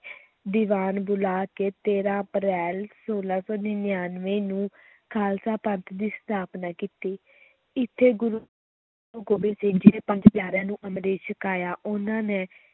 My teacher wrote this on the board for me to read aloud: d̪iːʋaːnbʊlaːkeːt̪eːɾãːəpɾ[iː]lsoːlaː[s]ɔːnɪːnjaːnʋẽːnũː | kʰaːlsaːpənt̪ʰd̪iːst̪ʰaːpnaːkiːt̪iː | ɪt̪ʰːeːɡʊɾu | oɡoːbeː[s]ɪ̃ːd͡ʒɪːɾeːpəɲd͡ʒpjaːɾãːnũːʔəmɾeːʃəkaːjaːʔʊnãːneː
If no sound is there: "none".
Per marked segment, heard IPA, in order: ɛː, s, s

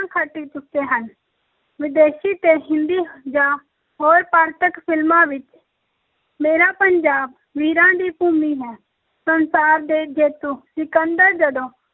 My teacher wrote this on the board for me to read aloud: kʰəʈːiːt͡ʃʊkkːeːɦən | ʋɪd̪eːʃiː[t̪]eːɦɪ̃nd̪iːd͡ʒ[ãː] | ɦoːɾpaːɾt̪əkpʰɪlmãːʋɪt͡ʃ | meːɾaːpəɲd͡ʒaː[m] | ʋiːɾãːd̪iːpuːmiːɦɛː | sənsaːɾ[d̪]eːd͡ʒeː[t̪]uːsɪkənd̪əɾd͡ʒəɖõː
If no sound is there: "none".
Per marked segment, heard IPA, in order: t̪, aː, b, d̪, t̪

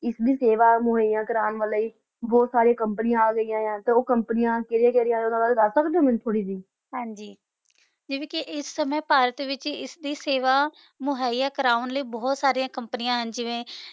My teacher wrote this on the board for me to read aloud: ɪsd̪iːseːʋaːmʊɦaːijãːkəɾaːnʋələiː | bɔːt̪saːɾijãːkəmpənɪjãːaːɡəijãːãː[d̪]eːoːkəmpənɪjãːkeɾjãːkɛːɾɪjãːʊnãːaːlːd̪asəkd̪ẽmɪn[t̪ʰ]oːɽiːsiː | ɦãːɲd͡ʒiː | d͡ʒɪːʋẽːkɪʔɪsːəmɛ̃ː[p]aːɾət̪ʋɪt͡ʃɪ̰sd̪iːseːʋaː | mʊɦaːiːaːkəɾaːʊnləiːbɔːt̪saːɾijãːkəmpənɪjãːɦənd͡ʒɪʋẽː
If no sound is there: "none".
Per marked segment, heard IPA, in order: t̪, t̪ʰ, p

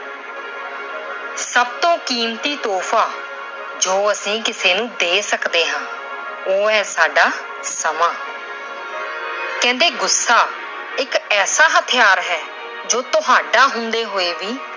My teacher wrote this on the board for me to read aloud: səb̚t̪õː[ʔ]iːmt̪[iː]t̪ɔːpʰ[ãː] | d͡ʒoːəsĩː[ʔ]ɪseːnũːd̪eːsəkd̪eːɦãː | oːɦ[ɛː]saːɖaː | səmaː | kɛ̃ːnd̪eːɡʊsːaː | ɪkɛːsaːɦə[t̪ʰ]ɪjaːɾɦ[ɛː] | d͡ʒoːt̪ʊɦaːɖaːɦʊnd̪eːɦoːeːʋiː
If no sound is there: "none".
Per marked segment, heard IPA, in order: k, iː, aː, k, ɛː, t̪ʰ, ɛː

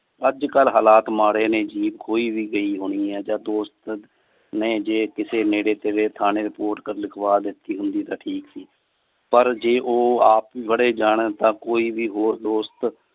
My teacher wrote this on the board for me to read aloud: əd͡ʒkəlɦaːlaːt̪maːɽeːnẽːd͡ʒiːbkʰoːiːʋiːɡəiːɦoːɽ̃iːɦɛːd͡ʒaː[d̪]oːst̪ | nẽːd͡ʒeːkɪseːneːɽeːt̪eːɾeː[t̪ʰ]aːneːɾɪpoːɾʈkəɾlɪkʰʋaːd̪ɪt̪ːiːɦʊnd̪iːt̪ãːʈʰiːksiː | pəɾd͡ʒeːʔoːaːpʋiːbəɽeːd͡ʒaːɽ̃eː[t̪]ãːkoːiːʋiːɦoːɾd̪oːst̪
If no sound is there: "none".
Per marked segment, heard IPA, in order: d̪, t̪ʰ, t̪

